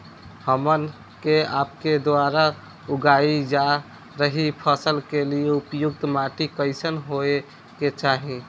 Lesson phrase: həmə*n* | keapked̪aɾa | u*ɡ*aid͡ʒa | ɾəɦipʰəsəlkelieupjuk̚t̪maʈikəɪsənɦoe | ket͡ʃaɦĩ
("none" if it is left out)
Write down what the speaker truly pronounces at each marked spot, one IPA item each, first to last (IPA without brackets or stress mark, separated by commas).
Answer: n, ɡ